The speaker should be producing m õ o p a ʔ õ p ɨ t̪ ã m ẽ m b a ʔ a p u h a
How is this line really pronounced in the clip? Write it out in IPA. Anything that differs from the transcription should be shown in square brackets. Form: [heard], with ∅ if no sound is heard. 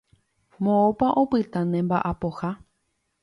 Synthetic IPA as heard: m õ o p a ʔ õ p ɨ t̪ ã [n] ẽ m b a ʔ a p [o] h a